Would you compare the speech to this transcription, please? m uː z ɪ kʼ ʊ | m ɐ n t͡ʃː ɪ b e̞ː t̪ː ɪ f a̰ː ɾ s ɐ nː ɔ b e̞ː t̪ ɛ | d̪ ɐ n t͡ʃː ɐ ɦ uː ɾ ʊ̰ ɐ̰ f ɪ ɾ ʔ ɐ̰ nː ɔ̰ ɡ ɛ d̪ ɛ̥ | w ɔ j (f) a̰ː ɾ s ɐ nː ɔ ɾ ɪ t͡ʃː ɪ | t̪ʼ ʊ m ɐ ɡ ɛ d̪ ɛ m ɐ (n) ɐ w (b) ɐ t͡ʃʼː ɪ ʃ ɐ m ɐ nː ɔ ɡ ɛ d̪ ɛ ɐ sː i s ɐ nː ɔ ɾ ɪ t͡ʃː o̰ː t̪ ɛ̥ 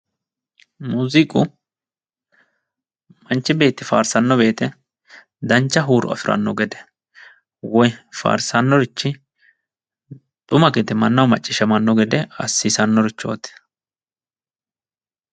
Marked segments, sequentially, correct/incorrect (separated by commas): correct, incorrect, incorrect